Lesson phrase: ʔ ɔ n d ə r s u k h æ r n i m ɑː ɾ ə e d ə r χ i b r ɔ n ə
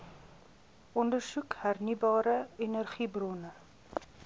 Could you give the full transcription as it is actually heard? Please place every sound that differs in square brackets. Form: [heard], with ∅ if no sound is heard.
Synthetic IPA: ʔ ɔ n d ə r s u k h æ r n i [b] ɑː ɾ ə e [n] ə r χ i b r ɔ n ə